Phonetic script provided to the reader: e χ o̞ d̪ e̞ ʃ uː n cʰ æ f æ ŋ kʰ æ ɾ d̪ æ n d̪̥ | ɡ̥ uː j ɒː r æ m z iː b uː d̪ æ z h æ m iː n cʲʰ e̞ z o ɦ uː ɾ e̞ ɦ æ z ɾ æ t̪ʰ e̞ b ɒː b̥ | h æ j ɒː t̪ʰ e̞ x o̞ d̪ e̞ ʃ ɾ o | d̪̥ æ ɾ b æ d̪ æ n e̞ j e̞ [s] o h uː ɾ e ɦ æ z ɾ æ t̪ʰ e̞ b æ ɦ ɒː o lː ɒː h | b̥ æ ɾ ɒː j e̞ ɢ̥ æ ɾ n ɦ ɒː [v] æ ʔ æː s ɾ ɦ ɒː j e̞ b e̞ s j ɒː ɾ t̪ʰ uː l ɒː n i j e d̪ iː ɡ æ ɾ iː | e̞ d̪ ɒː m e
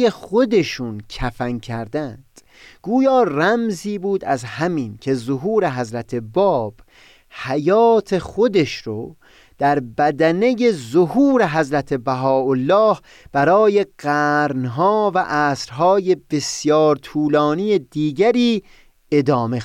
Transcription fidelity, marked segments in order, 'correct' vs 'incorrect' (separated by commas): incorrect, correct